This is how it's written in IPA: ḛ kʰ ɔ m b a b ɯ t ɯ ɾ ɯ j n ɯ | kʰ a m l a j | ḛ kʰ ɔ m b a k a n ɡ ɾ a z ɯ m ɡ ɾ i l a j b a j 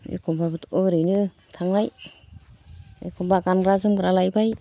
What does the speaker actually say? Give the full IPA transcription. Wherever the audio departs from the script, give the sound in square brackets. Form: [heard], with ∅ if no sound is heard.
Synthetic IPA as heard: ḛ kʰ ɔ m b a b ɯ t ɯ ɾ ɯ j n ɯ | [tʰ] a [ŋ] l a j | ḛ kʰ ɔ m b a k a n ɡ ɾ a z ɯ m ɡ ɾ [a] l a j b a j